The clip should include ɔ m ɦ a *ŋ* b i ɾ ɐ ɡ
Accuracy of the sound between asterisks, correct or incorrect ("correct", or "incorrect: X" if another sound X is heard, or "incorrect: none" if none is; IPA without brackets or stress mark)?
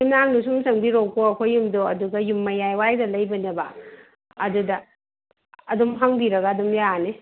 correct